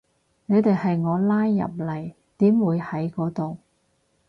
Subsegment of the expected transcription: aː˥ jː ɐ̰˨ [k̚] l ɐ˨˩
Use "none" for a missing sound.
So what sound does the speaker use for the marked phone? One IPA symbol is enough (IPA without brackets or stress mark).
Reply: p̚